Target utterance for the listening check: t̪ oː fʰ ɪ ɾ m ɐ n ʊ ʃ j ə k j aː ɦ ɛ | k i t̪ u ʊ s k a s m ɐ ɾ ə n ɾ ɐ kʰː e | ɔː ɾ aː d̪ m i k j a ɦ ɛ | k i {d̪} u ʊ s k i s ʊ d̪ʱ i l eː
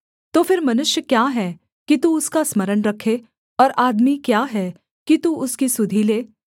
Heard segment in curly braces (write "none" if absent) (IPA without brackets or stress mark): t̪